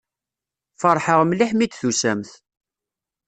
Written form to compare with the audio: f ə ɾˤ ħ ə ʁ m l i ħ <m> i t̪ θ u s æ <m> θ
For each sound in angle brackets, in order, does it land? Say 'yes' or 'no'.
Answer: yes, yes

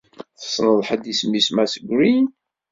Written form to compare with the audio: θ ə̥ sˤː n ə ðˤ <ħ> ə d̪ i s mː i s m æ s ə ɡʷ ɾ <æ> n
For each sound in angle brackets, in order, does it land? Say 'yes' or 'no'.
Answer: yes, no

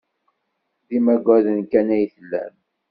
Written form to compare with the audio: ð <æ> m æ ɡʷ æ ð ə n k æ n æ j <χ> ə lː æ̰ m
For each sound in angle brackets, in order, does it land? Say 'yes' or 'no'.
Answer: no, no

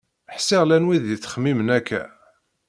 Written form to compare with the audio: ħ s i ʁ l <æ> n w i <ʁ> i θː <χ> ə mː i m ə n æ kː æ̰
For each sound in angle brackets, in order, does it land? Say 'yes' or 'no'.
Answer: yes, no, yes

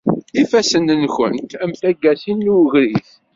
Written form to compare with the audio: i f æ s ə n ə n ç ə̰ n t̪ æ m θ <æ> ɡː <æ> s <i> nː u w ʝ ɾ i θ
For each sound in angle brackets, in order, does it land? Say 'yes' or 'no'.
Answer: yes, yes, yes

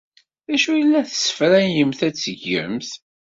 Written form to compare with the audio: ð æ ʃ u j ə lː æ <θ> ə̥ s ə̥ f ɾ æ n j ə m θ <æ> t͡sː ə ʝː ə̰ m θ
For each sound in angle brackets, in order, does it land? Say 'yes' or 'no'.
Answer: yes, yes

